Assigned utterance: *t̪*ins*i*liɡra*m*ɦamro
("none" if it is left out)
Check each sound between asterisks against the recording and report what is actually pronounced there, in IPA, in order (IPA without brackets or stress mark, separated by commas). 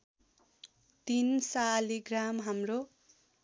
t̪, a, m